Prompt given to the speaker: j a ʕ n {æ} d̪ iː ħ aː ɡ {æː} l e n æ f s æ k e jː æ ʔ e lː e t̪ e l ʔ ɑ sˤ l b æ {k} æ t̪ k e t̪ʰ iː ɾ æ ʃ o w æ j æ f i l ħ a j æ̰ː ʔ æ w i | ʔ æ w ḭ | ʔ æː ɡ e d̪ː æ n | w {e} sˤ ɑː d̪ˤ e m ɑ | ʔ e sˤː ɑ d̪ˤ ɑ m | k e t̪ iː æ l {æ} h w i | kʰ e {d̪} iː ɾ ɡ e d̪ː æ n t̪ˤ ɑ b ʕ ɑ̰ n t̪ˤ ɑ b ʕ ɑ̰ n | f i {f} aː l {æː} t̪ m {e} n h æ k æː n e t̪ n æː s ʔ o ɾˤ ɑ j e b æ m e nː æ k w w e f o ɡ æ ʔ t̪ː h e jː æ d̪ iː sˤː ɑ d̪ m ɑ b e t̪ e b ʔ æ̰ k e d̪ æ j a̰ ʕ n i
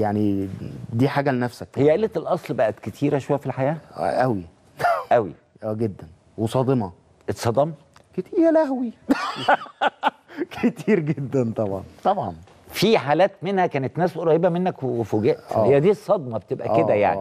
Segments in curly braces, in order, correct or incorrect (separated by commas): incorrect, incorrect, incorrect, correct, correct, incorrect, incorrect, correct, correct